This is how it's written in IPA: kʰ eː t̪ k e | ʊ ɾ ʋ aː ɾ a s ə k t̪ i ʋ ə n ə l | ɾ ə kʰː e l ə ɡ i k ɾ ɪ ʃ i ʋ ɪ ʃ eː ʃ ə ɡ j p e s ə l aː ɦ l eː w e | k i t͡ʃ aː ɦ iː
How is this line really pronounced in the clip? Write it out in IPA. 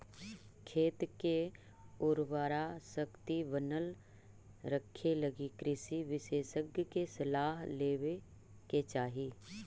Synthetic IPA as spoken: kʰ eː t̪ k e | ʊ ɾ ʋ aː ɾ a s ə k t̪ i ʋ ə n ə l | ɾ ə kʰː e l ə ɡ i k ɾ ɪ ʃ i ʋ ɪ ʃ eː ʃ ə ɡ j k e s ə l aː ɦ l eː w e | k e t͡ʃ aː ɦ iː

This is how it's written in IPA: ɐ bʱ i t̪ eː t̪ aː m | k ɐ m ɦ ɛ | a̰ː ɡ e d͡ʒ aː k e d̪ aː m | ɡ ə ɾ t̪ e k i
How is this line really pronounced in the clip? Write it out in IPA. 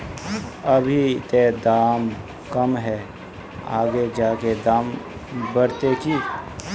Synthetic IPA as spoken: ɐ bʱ i t̪ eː d̪ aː m | k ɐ m ɦ ɛ | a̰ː ɡ e d͡ʒ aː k e d̪ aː m | b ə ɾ t̪ e k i

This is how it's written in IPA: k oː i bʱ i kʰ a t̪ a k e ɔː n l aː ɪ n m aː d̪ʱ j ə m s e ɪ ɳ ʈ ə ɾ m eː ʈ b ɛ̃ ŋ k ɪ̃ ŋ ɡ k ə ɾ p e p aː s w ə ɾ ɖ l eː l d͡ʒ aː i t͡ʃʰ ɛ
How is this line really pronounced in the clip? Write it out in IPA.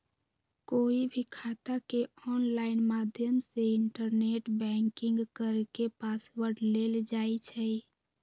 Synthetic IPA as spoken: k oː i bʱ i kʰ a t̪ a k e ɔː n l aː ɪ n m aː d̪ʱ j ə m s e ɪ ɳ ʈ ə ɾ n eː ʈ b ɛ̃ ŋ k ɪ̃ ŋ ɡ k ə ɾ k e p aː s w ə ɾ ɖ l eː l d͡ʒ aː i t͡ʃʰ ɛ

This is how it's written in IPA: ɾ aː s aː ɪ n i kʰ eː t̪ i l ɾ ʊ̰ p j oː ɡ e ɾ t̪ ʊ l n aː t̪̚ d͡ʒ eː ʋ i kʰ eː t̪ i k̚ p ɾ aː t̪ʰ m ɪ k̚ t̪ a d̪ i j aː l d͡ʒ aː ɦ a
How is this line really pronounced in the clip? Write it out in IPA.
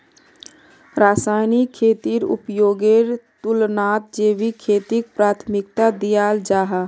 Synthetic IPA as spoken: ɾ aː s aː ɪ n i kʰ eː t̪ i ɾ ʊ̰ p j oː ɡ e ɾ t̪ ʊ l n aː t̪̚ d͡ʒ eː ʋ i kʰ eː t̪ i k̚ p ɾ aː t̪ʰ m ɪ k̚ t̪ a d̪ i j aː l d͡ʒ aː ɦ a

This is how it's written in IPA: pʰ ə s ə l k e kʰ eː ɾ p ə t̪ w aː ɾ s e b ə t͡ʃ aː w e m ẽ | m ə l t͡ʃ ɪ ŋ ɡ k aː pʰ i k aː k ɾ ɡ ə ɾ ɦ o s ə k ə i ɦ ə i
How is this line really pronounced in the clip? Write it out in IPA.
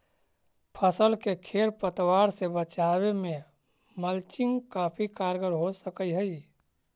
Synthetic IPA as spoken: pʰ ə s ə l k e kʰ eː ɾ p ə t̪ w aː ɾ s e b ə t͡ʃ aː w e m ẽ | m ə l t͡ʃ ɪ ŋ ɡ k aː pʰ i k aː ɾ ɡ ə ɾ ɦ o s ə k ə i ɦ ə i

